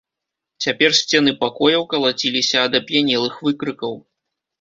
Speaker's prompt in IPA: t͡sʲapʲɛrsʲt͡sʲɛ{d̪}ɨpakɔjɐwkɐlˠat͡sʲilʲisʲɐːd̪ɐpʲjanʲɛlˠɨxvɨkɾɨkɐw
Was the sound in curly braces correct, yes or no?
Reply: no